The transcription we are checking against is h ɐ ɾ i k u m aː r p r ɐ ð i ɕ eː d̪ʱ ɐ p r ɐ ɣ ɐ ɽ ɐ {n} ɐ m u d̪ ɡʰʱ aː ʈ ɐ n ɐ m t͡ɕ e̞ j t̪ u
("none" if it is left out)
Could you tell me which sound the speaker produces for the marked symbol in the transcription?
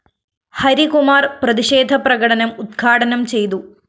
n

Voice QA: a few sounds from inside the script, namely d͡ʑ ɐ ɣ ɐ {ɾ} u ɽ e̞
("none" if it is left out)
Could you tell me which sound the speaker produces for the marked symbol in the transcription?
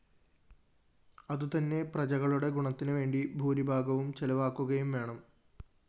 ɭ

